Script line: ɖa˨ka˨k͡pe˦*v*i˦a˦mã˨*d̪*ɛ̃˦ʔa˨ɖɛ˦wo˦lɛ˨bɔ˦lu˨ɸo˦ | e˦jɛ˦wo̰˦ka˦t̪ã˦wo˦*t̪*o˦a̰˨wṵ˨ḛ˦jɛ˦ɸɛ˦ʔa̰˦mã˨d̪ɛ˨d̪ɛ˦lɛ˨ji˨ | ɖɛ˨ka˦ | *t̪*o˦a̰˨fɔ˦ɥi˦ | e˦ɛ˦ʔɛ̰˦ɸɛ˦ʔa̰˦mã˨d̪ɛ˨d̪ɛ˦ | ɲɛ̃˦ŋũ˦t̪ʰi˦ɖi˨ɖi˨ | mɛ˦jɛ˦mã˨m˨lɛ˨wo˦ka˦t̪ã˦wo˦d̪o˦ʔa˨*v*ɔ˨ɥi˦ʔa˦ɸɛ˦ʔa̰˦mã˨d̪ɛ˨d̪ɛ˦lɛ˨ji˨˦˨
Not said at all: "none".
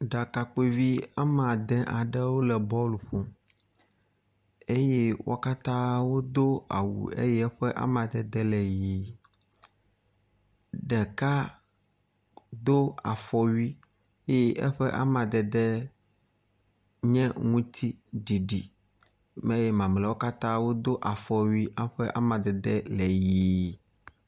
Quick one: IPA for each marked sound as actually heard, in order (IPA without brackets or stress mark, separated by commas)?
v, d̪, d̪, d̪, f